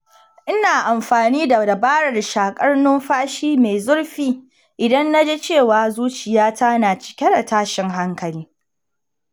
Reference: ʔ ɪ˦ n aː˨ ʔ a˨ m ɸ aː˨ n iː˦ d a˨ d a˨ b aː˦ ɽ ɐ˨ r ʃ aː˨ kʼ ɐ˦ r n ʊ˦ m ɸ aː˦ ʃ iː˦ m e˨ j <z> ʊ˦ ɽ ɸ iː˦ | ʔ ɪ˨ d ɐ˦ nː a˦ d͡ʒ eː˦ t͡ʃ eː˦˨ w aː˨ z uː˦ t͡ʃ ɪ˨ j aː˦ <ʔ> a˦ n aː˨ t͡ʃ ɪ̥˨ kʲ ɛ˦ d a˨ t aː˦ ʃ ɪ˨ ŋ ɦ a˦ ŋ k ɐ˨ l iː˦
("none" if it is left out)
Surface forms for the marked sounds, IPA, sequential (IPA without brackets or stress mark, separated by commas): z, t